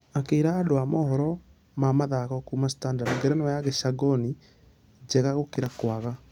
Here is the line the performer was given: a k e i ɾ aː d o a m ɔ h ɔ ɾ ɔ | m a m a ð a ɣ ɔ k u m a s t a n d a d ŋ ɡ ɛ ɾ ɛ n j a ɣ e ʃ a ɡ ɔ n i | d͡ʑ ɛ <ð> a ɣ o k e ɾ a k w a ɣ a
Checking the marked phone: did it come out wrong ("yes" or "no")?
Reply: yes